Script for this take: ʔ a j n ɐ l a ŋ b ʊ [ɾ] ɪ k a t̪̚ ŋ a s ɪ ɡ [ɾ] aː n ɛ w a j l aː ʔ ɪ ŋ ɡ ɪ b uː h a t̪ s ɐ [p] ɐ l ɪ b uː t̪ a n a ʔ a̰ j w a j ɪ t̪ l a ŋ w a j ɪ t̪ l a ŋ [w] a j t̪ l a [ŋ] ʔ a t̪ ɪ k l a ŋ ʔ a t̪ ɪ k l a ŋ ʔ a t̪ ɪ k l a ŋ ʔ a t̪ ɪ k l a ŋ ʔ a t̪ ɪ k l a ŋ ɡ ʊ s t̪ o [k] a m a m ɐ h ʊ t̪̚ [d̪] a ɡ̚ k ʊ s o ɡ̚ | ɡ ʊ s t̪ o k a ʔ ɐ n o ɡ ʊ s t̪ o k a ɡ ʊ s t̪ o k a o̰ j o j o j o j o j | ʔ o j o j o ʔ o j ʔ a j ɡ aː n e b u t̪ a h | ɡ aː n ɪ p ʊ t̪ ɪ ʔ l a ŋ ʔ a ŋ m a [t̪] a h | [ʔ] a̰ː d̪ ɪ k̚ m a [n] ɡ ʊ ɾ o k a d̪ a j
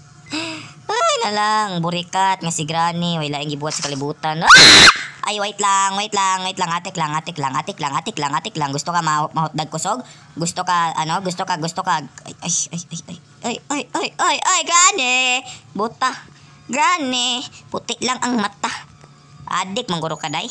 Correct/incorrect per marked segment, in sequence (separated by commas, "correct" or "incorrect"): correct, correct, incorrect, correct, correct, correct, correct, correct, correct, incorrect